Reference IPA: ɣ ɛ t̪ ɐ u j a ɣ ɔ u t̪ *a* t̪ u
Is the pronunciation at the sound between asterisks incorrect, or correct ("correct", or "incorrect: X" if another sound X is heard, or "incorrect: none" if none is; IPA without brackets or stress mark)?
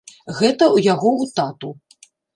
correct